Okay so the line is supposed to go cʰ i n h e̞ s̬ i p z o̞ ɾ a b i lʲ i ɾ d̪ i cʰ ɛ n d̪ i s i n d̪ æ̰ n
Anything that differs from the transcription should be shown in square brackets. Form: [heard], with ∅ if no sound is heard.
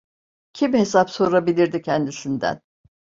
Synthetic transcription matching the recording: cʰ i [m] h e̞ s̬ [a] p [s] o̞ ɾ a b i lʲ i ɾ d̪ i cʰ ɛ n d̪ i s i n d̪ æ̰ n